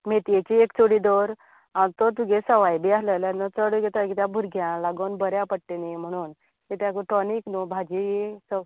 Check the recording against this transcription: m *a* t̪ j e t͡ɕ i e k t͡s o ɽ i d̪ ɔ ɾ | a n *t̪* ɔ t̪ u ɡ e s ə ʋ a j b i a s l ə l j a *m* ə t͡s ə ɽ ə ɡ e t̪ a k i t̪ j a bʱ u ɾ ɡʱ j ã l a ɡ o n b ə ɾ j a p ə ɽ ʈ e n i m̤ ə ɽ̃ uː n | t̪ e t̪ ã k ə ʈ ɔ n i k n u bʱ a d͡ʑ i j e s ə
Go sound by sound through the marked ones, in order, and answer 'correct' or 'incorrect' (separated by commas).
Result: incorrect, correct, incorrect